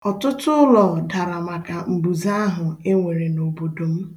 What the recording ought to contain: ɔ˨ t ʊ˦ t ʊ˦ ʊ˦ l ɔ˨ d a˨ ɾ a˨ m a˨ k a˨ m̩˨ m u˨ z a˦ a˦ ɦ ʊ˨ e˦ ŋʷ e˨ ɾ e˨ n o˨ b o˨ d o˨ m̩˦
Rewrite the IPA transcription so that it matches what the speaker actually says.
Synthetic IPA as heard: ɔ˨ t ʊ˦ t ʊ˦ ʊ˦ l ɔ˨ d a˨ ɾ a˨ m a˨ k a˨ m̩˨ b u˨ z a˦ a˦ ɦ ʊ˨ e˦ ŋʷ e˨ ɾ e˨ n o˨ b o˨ d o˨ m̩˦